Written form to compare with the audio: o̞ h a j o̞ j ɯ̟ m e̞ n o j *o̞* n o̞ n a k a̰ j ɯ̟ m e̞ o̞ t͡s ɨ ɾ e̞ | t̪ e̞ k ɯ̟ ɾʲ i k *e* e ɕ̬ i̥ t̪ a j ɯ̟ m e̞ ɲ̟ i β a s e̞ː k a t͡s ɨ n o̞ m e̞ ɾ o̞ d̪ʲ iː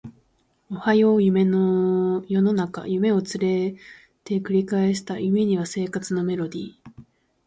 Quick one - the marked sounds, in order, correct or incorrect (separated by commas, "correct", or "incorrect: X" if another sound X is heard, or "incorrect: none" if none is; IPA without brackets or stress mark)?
correct, incorrect: a